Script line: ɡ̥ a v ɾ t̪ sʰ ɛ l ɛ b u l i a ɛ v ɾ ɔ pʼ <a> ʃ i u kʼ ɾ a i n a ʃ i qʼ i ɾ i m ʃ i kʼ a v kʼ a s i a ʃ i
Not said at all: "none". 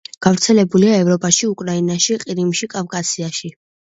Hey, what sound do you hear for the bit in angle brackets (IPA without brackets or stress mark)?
a